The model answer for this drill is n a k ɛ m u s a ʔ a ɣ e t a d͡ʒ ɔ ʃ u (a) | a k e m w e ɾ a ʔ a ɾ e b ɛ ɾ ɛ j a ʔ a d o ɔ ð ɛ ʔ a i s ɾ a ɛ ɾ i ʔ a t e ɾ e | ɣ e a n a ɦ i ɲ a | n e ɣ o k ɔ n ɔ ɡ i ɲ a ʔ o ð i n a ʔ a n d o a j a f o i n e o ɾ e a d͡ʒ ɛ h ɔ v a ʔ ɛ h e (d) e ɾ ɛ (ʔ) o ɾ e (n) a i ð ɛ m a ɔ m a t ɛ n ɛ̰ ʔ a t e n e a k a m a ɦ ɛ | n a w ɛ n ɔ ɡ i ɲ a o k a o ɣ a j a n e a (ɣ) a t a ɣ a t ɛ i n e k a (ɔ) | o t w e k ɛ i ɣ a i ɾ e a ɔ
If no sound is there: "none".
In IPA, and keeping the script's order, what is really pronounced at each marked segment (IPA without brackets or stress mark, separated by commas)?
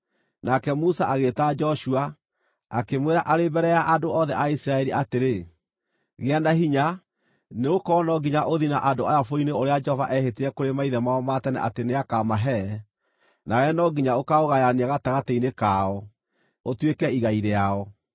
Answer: a, t, k, m, ɣ, ɔ